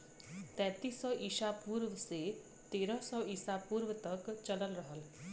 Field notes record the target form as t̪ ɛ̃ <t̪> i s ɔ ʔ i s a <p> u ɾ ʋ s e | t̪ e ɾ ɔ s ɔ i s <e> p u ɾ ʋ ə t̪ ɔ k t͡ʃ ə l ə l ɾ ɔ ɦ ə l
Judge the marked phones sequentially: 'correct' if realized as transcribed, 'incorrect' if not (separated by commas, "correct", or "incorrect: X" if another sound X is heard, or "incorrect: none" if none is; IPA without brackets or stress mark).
correct, correct, incorrect: a